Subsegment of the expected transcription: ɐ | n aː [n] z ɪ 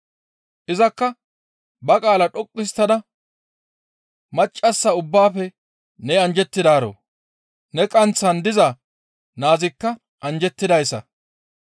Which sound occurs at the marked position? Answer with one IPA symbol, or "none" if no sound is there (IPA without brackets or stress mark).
none